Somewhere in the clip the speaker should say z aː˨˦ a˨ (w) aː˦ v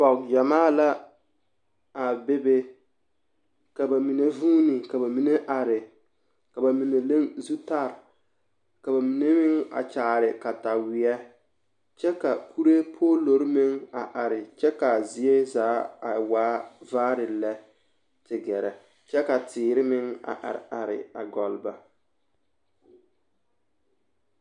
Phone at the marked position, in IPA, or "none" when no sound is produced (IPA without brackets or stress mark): w